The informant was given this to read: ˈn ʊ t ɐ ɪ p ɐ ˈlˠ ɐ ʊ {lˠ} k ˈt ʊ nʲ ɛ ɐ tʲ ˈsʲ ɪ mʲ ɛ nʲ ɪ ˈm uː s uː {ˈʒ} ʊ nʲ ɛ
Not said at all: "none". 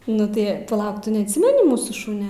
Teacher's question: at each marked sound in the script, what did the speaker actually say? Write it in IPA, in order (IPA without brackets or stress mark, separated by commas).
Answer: none, ʃ